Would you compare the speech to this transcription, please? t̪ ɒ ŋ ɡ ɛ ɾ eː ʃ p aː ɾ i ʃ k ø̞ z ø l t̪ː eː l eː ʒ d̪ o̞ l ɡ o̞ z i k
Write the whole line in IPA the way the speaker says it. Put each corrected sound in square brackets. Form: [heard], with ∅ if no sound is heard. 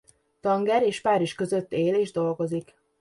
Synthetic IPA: t̪ ɒ ŋ ɡ ɛ ɾ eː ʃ p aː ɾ i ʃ k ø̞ z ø [∅] t̪ː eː l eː ʒ d̪ o̞ l ɡ o̞ z i k